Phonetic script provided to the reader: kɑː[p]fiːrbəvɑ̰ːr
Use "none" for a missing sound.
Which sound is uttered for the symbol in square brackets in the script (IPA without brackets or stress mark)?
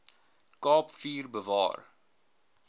p